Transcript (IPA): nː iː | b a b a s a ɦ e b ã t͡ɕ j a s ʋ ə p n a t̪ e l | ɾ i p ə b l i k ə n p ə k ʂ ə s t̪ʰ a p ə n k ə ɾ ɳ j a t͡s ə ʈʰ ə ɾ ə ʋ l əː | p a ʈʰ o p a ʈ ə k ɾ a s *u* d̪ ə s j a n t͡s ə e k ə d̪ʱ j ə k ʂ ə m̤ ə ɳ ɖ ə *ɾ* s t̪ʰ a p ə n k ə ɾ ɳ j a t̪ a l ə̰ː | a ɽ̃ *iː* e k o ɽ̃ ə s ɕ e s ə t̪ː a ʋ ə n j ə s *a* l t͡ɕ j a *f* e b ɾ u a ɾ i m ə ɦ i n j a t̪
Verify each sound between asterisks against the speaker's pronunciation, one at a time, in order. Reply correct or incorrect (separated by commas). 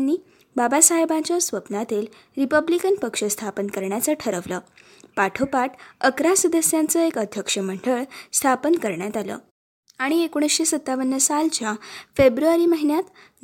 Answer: correct, incorrect, incorrect, correct, correct